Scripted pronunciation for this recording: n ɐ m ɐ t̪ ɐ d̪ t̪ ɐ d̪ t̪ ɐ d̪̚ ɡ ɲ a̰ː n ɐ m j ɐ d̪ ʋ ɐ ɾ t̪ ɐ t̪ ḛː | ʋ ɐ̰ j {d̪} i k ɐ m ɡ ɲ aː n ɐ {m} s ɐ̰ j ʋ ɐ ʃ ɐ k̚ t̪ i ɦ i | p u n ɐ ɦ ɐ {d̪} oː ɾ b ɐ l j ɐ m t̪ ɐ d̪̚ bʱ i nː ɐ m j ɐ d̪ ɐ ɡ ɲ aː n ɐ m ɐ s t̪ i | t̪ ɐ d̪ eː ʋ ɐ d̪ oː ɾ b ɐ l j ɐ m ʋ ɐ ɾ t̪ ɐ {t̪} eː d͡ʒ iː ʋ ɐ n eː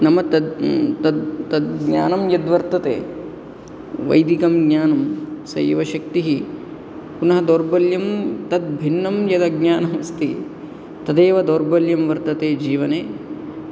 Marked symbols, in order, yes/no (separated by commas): yes, yes, yes, yes